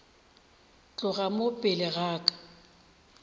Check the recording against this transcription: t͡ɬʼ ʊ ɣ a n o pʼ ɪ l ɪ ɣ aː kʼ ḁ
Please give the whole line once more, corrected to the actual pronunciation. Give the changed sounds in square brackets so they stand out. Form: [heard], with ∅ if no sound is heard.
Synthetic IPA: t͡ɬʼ ʊ ɣ a [m] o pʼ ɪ l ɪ ɣ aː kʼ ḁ